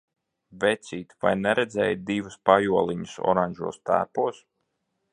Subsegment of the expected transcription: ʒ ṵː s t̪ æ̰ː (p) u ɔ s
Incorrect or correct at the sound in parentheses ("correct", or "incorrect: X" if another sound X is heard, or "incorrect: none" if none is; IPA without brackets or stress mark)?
correct